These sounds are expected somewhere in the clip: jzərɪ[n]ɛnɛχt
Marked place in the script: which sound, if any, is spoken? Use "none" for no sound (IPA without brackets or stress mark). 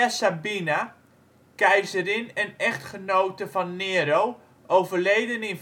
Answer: n